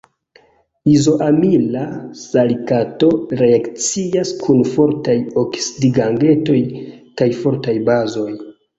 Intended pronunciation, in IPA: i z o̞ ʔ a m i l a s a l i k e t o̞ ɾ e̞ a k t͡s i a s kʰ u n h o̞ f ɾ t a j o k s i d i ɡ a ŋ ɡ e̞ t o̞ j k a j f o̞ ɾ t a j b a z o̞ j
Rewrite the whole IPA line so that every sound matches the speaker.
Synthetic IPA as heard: i z o̞ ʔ a m i l a s a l i k a t o̞ ɾ e̞ a k t͡s i a s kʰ u n f o̞ ɾ t a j o k s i d i ɡ a ŋ ɡ e̞ t o̞ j k a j f o̞ ɾ t a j b a z o̞ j